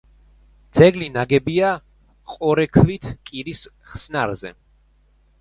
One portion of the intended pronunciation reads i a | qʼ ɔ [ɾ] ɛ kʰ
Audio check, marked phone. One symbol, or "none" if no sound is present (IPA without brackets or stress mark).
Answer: ɾ